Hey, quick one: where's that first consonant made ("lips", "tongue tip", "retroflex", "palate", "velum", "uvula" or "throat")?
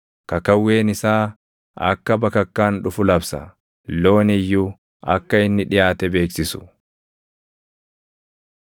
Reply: velum